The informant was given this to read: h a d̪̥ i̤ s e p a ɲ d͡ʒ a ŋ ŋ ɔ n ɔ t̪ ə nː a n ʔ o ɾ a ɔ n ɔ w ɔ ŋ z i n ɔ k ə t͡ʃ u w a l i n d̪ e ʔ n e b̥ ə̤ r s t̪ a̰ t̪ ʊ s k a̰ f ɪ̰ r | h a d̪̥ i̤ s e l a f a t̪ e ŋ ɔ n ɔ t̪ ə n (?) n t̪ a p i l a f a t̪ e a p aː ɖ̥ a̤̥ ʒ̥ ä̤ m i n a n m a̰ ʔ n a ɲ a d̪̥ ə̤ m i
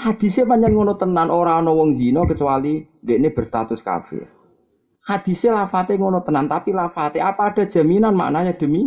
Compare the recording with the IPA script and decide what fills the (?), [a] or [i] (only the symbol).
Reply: a